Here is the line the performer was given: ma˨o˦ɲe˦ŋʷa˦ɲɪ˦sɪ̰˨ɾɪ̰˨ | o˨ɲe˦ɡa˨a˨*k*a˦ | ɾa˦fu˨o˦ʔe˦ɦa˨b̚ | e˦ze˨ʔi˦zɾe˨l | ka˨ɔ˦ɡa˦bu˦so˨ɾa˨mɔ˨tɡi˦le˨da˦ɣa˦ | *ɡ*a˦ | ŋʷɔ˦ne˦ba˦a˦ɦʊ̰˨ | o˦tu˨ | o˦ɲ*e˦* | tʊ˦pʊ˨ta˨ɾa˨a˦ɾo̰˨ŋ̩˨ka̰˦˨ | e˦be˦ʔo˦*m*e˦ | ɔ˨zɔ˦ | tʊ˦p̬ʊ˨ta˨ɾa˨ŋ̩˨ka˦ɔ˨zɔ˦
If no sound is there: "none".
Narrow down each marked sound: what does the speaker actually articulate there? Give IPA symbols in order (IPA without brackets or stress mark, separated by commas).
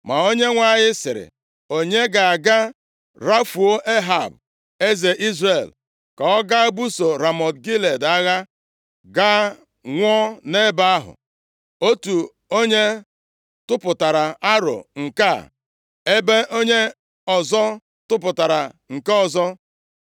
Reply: ɡ, ɡ, e˦, ɲ